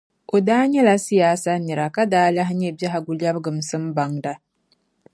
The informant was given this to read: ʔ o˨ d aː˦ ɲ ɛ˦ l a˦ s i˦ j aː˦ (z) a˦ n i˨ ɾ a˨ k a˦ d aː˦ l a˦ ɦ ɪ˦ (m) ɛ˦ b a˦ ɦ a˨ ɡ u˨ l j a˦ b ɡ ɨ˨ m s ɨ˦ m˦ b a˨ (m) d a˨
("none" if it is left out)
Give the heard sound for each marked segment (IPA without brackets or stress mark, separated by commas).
s, ɲ, ŋ